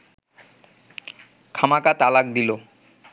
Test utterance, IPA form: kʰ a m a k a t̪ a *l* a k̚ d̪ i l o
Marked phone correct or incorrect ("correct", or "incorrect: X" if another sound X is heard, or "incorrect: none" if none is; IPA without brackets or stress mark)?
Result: correct